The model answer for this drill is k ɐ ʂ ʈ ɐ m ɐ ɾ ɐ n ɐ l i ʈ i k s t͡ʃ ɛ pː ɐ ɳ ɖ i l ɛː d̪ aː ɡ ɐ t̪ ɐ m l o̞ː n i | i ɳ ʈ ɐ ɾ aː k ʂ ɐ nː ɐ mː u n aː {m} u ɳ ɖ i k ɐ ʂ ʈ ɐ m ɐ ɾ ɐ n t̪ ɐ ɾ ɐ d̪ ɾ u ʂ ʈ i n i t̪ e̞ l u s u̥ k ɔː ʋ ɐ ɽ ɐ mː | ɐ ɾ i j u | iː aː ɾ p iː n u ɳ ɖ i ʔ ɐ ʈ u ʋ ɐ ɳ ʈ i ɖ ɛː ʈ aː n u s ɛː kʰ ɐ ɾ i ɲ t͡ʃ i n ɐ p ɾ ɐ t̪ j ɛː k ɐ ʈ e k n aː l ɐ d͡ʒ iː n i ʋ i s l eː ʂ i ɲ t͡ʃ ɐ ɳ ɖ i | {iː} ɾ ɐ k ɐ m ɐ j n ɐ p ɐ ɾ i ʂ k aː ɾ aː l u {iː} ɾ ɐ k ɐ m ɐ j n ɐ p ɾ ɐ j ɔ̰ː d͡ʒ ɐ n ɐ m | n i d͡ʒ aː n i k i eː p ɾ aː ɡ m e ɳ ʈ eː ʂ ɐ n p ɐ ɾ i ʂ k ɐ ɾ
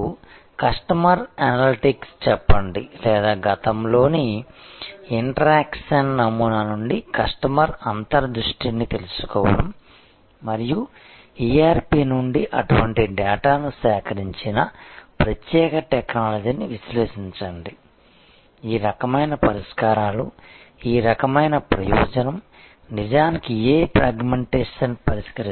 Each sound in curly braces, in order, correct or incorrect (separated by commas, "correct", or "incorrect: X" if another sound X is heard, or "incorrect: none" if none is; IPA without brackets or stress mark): incorrect: n, correct, correct